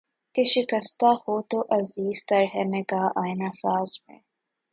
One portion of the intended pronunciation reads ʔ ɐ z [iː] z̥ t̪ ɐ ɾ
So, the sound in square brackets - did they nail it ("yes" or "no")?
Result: yes